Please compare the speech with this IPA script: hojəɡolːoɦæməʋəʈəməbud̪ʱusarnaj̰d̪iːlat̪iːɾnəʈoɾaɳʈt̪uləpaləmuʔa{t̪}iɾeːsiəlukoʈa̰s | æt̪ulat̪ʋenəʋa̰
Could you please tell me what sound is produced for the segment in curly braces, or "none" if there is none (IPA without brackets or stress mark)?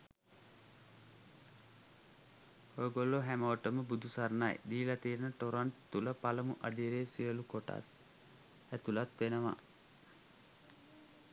d̪